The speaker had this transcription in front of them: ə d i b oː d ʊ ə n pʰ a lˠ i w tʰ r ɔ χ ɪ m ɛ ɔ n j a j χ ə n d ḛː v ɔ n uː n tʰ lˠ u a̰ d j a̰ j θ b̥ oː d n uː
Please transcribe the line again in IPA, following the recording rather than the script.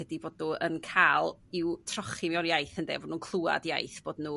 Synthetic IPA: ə d i b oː d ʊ ə n kʰ a lˠ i w tʰ r ɔ χ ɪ m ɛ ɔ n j a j θ ə n d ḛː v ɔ n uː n kʰ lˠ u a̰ d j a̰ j θ b̥ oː d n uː